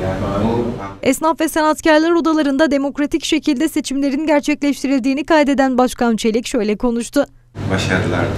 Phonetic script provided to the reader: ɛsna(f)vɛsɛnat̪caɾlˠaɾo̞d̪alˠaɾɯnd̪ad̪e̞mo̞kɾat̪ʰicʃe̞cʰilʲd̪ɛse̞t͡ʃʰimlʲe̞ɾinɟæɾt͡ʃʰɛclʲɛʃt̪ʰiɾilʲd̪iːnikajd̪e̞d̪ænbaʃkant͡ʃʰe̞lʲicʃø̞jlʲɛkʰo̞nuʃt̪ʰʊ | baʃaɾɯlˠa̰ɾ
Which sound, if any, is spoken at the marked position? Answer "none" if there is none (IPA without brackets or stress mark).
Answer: f